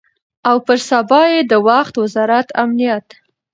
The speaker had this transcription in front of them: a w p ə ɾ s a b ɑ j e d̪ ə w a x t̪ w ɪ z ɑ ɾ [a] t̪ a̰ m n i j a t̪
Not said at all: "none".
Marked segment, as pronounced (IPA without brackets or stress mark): a